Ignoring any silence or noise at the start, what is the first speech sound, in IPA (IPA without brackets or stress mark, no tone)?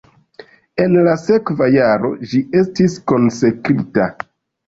e̞